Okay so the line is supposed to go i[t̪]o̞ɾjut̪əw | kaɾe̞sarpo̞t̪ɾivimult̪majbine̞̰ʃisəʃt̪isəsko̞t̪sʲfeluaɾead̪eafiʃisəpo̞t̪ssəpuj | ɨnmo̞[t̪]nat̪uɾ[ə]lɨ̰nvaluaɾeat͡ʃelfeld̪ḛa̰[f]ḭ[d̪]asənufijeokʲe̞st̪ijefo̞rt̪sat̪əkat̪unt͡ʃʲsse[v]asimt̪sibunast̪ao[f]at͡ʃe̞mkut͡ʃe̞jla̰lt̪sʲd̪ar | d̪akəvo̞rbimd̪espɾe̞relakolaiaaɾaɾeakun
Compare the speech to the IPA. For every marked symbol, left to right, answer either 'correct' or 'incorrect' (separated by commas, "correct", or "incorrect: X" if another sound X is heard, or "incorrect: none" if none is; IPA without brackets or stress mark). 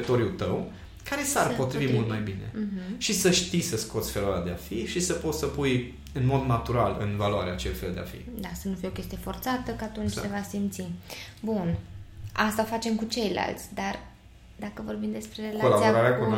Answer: correct, incorrect: d̪, incorrect: a, correct, correct, correct, correct